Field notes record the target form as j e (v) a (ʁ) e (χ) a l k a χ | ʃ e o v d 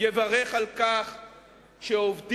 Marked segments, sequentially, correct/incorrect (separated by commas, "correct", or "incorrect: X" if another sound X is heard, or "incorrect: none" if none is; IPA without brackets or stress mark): correct, correct, correct